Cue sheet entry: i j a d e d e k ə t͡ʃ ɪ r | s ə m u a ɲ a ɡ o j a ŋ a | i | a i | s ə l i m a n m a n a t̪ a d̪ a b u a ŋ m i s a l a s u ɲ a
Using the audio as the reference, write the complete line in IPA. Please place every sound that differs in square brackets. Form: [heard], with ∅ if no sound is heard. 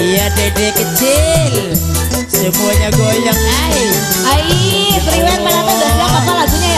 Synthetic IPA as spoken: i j a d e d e k ə t͡ʃ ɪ [l] | s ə m u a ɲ a ɡ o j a ŋ a | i | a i | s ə [ɾ] i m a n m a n a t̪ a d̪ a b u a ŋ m [a] s a l a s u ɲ a